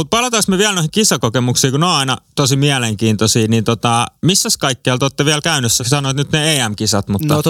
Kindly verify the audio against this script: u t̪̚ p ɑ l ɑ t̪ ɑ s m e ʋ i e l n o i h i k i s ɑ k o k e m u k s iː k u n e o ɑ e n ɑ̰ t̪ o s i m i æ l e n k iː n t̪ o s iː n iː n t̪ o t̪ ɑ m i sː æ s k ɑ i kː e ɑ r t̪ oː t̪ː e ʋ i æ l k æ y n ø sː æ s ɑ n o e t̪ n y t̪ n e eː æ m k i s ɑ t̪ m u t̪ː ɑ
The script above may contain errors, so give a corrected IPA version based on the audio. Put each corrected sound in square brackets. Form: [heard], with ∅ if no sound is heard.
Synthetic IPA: u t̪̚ p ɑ l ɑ t̪ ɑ s m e ʋ i [æ] l n o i h i k i s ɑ k o k e m u k s iː k u n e o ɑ [i] n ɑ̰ t̪ o s i m i æ l e [ŋ] k iː n t̪ o s iː n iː n t̪ o t̪ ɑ m i sː æ s k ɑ i kː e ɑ [l] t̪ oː t̪ː e ʋ i æ l k æ y n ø sː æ s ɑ n o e t̪ n y t̪ n e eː æ m k i s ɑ t̪ m u t̪ː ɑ